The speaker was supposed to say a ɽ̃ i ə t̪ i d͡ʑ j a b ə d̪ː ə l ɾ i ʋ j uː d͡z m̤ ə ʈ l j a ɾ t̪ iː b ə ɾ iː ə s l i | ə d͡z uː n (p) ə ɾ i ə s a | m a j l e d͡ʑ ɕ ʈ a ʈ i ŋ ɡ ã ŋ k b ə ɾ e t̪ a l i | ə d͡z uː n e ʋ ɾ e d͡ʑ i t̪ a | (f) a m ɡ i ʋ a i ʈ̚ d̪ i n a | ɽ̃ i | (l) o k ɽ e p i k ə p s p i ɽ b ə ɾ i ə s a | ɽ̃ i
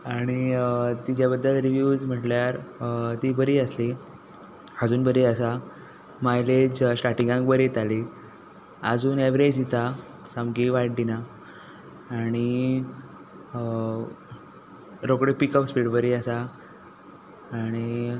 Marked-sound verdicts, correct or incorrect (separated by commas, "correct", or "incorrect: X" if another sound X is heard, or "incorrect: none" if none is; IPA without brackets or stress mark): incorrect: b, incorrect: s, incorrect: ɾ